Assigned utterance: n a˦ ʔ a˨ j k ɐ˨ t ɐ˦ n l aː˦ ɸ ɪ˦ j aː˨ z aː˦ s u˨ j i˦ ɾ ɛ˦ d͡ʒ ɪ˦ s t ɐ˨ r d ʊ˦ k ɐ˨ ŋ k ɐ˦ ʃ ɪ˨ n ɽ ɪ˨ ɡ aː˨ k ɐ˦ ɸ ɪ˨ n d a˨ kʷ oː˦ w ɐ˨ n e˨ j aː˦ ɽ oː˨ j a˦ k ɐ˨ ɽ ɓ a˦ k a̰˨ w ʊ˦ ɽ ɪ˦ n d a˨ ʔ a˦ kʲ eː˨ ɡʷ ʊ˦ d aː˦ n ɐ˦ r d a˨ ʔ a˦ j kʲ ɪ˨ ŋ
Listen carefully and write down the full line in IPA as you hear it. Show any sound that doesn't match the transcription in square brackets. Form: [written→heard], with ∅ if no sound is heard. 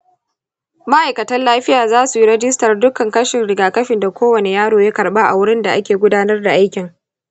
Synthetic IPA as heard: [n→m] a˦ ʔ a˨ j k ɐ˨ t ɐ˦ n l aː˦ ɸ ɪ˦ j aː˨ z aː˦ s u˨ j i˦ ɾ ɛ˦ d͡ʒ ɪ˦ s t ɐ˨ r d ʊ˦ k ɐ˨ ŋ k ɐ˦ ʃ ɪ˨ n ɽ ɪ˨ ɡ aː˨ k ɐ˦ ɸ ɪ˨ n d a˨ kʷ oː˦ w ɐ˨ n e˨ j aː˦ ɽ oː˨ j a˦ k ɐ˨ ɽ ɓ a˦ [k→ʔ] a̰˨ w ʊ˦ ɽ ɪ˦ n d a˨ ʔ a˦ kʲ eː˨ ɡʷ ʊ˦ d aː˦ n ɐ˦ r d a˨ ʔ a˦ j kʲ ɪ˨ ŋ